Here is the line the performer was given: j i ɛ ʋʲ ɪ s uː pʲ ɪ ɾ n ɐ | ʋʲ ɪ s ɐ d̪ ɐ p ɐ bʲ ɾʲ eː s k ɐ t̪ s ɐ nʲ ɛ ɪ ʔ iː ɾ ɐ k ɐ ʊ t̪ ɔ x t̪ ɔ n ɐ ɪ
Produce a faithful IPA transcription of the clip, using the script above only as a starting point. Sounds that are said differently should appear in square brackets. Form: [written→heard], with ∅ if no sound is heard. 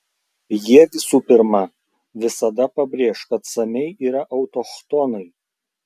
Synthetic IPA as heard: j i ɛ ʋʲ ɪ s uː pʲ ɪ ɾ [n→m] ɐ | ʋʲ ɪ s ɐ d̪ ɐ p ɐ bʲ ɾʲ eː [s→ʃ] k ɐ t̪ s ɐ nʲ ɛ ɪ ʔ iː ɾ ɐ [k→ʔ] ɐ ʊ t̪ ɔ x t̪ ɔ n ɐ ɪ